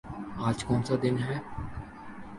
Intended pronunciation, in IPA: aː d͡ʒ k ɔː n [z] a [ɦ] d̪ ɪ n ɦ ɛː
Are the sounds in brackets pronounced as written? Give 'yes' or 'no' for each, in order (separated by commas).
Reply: no, no